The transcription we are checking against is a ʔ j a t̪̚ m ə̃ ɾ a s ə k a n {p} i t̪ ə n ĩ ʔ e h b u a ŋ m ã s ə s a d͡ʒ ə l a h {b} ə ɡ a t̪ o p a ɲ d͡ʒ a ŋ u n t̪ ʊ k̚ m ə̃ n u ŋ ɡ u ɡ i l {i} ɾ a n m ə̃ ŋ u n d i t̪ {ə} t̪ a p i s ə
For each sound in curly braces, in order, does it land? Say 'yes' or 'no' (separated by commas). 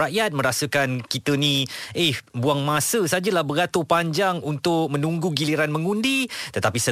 no, yes, yes, yes